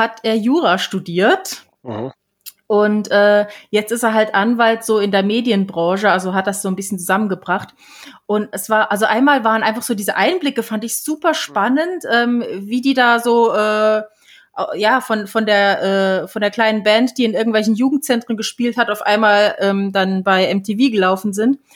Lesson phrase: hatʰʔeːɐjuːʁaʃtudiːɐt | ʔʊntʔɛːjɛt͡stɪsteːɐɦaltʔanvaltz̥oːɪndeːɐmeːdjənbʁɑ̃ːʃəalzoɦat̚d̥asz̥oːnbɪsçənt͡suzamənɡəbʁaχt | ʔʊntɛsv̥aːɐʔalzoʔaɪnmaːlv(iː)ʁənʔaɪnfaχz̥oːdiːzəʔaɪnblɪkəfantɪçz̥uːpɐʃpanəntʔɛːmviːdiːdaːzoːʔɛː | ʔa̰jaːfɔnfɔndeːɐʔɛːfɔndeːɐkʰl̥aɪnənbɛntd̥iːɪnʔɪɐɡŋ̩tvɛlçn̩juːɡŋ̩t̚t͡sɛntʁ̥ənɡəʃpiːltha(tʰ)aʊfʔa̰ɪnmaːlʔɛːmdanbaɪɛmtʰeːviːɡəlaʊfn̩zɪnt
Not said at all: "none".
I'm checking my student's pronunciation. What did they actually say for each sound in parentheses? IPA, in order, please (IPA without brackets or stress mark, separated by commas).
aː, t